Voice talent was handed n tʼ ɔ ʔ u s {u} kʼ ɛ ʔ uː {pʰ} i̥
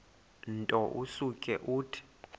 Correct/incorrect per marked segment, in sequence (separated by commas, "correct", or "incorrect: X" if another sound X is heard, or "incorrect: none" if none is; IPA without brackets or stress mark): correct, incorrect: tʰ